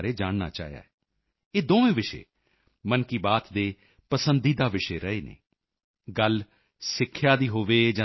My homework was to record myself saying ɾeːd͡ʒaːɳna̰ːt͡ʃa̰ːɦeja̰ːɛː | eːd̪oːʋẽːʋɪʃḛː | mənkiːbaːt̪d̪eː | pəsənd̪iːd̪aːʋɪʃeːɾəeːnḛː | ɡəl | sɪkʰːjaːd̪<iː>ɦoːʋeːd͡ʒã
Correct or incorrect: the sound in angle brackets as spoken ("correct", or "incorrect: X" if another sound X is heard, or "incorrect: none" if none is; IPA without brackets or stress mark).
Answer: correct